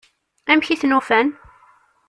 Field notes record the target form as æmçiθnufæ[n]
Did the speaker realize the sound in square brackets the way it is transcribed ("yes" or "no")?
yes